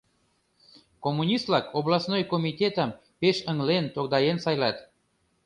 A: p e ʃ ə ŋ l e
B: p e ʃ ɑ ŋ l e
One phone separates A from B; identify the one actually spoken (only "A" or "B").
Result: A